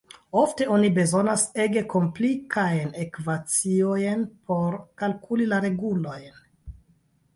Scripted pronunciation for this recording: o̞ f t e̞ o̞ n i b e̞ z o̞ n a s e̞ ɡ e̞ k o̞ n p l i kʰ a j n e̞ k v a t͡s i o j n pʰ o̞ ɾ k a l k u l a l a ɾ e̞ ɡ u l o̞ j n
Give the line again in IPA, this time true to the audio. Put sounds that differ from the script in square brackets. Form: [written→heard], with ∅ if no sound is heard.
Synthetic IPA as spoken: o̞ f t e̞ o̞ n i b e̞ z o̞ n a s e̞ ɡ e̞ k o̞ [n→m] p l i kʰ a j n e̞ k v a t͡s i o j n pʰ o̞ ɾ k a l k u l [a→i] l a ɾ e̞ ɡ u l o̞ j n